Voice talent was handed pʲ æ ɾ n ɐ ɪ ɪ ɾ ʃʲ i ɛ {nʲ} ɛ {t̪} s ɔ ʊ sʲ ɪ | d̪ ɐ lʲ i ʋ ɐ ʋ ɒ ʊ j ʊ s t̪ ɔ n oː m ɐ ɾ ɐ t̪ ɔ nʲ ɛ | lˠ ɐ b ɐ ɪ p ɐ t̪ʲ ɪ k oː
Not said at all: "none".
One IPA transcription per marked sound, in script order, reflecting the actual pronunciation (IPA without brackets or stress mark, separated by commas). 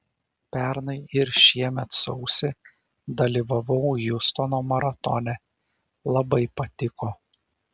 mʲ, t̪